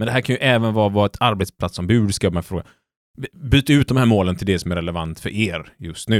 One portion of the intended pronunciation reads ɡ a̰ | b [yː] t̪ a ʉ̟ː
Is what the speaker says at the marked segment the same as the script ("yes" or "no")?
yes